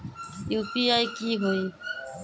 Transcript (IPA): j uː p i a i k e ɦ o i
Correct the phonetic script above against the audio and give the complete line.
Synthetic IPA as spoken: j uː p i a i k i ɦ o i